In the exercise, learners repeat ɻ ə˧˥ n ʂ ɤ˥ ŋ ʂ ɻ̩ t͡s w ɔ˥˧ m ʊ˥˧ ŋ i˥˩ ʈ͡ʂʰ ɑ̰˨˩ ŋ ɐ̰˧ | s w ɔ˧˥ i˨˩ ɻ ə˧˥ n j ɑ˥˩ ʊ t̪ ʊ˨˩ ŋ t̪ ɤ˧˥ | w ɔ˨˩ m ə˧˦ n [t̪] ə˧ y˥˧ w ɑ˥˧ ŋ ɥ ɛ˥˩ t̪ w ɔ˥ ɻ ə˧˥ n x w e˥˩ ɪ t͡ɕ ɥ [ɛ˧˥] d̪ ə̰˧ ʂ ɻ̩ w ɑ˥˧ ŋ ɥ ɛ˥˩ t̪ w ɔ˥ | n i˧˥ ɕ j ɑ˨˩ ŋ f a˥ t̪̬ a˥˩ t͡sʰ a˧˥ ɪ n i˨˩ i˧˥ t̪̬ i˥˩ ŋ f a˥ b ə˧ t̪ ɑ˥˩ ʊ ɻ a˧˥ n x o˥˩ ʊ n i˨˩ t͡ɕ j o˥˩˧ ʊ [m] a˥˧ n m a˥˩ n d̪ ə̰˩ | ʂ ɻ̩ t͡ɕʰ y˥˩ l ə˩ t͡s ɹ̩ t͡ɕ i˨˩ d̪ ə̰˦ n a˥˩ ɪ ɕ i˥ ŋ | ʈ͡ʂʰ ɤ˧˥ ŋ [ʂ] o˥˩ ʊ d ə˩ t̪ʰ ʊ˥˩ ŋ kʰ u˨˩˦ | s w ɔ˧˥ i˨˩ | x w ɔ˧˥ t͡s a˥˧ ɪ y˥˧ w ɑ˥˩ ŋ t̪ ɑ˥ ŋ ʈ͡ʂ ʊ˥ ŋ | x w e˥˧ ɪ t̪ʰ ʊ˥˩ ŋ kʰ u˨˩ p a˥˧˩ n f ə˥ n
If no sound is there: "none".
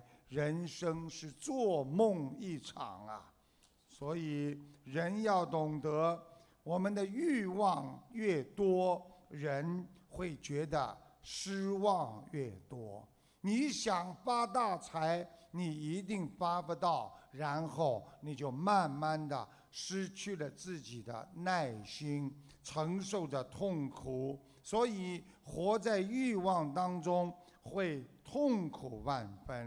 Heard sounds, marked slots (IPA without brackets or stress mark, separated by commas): d̪, ɛ˧˥, m, ʂ